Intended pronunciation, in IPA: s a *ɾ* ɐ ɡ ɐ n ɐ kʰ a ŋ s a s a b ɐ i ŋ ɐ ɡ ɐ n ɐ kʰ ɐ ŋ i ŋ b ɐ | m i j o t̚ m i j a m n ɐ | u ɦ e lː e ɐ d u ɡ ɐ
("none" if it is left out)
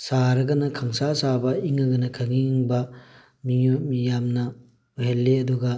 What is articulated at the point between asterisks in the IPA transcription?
ɾ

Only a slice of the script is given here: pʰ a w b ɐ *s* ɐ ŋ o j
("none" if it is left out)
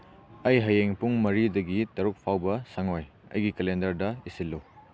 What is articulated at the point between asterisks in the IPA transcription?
s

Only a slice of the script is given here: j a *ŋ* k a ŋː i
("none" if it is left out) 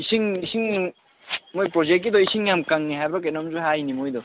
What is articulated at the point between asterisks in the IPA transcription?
m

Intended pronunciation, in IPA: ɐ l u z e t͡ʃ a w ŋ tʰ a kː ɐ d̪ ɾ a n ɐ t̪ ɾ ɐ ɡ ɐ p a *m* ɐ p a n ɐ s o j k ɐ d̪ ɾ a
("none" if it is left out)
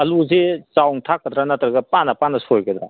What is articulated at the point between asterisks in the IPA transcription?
n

